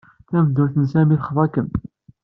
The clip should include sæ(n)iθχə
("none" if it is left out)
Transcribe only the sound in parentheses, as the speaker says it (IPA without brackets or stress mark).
m